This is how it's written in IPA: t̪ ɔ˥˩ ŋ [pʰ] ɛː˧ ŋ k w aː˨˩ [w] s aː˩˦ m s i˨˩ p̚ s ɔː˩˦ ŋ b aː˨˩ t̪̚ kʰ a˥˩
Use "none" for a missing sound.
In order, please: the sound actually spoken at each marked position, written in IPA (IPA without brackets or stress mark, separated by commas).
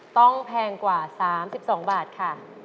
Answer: pʰ, none